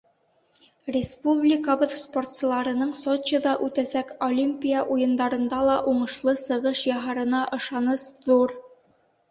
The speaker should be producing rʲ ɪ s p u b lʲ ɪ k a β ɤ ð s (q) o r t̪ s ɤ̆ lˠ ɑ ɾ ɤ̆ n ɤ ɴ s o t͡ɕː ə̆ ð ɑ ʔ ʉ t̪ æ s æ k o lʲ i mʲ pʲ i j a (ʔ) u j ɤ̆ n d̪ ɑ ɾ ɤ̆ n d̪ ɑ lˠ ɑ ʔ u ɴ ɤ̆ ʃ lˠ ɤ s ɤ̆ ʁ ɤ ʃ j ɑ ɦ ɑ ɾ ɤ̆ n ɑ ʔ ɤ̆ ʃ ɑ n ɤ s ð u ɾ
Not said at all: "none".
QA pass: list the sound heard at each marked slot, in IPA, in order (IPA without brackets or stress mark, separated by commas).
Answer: p, ʔ